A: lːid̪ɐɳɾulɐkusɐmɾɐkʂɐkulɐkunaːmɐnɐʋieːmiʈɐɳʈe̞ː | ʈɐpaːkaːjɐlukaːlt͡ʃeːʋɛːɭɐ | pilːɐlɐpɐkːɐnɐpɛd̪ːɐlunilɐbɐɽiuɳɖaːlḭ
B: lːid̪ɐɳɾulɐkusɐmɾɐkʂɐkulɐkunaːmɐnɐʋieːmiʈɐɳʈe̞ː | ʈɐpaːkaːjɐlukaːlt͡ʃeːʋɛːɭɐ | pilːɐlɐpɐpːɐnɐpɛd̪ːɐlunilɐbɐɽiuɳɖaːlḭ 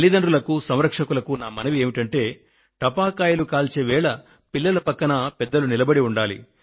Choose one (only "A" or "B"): A